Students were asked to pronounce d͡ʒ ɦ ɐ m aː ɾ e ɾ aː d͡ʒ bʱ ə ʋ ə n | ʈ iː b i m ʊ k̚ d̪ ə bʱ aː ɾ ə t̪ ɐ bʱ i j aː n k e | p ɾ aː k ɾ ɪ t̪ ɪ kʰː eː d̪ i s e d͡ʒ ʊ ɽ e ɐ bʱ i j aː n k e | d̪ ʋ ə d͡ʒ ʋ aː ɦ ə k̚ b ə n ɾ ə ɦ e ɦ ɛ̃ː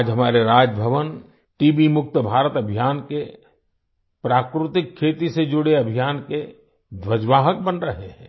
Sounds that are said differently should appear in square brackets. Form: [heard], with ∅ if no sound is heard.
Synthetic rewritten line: d͡ʒ ɦ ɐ m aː ɾ e ɾ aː d͡ʒ bʱ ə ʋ ə n | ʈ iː b i m ʊ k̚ [t̪] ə bʱ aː ɾ ə t̪ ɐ bʱ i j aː n k e | p ɾ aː k ɾ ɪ t̪ ɪ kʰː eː [t̪] i s e d͡ʒ ʊ ɽ e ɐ bʱ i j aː n k e | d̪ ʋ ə d͡ʒ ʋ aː ɦ ə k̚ b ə n ɾ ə ɦ e ɦ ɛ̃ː